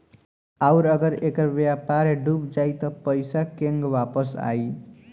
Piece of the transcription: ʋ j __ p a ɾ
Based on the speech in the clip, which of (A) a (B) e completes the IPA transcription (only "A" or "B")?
A